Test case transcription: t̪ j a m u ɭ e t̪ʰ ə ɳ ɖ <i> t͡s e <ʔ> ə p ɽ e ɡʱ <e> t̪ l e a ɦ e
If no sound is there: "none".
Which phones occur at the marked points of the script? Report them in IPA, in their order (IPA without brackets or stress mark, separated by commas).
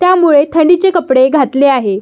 i, k, a